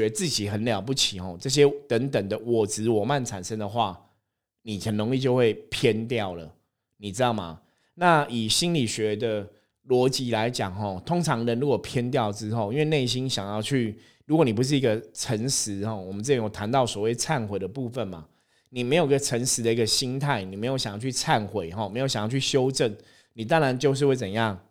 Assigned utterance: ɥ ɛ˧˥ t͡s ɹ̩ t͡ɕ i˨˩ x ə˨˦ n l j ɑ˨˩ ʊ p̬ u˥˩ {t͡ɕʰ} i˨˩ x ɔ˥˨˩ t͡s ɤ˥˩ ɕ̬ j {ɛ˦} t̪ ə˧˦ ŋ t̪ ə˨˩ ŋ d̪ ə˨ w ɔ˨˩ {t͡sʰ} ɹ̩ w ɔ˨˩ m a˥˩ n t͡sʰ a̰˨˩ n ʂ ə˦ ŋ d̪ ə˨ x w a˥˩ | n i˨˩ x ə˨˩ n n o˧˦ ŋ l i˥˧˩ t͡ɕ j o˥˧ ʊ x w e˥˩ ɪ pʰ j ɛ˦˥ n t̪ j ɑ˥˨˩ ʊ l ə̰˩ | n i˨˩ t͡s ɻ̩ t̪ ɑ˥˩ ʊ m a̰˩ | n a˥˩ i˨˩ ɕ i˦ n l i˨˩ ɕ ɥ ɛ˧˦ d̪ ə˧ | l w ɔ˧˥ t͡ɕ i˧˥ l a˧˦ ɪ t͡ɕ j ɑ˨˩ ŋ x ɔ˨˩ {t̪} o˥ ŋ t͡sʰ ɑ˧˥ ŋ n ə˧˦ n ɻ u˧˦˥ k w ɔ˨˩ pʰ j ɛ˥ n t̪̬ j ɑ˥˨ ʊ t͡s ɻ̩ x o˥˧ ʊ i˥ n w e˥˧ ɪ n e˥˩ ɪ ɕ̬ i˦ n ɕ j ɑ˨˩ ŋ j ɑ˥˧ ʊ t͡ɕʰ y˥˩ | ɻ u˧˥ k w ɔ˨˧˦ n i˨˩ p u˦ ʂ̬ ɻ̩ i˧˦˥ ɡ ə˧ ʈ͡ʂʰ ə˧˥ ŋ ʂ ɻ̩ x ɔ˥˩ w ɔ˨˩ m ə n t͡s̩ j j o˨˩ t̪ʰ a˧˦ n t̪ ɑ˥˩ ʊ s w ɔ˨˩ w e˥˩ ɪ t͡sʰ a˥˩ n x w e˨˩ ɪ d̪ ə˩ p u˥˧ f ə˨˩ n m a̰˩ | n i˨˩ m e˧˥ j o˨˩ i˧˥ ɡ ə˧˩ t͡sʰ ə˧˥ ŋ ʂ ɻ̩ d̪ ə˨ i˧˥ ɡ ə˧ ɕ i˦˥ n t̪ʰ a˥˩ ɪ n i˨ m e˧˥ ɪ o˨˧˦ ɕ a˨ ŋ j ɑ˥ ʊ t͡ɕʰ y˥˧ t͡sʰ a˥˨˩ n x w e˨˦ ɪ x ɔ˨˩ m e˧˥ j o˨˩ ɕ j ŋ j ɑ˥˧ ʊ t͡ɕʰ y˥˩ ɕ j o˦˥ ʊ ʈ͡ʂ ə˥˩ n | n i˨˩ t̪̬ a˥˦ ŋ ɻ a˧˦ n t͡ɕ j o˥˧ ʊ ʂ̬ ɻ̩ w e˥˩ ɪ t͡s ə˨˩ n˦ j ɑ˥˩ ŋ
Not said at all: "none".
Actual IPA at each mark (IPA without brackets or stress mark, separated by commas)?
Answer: t͡ɕʰ, ɛ˦, t͡s, t̪ʰ